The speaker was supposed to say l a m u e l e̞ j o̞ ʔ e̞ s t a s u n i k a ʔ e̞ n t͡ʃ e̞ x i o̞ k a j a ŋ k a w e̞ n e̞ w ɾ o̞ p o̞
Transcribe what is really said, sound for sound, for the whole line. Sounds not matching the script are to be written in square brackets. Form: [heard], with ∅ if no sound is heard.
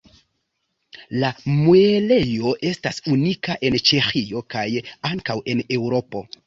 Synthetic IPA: l a m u e l e̞ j o̞ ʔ e̞ s t a s u n i k a ʔ e̞ n t͡ʃ e̞ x i o̞ k a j a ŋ k a w e̞ n e̞ w ɾ o̞ p o̞